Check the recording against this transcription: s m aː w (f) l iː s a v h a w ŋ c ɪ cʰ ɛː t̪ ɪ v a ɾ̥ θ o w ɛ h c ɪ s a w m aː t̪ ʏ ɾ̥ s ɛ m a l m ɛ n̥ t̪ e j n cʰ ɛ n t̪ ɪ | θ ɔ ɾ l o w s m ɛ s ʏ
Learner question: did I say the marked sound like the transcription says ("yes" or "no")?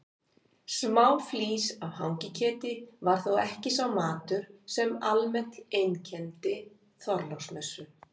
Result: yes